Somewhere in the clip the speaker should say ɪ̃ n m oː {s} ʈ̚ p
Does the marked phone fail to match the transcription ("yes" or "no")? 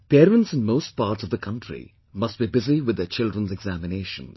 no